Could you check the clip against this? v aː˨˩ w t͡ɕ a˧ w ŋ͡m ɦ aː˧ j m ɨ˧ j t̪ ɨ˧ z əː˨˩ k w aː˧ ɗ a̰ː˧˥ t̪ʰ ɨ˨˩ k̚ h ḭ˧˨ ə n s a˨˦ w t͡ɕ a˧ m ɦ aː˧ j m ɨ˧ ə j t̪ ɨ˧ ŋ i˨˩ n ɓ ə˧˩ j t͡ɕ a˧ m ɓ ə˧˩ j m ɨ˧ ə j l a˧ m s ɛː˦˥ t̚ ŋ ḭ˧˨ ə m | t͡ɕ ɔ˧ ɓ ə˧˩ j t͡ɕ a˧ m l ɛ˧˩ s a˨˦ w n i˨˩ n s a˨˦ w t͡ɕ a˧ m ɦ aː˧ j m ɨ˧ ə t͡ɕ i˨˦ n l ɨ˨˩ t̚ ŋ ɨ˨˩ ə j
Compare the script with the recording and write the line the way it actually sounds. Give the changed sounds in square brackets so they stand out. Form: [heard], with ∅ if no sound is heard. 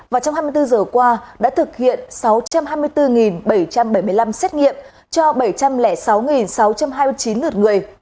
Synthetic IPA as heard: v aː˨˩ w t͡ɕ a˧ w ŋ͡m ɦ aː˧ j m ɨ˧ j t̪ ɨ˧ z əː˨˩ k w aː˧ ɗ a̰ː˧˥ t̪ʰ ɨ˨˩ k̚ h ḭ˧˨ ə n s a˨˦ w t͡ɕ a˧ m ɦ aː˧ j m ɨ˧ ə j t̪ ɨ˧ ŋ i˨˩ n ɓ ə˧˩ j t͡ɕ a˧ m ɓ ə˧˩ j m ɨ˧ ə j l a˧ m s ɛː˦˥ t̚ ŋ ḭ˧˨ ə m | t͡ɕ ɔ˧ ɓ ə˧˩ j t͡ɕ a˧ m l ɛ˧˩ s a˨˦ w [ŋ] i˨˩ n s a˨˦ w t͡ɕ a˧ m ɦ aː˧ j m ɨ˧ ə t͡ɕ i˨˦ n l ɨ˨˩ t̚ ŋ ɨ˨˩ ə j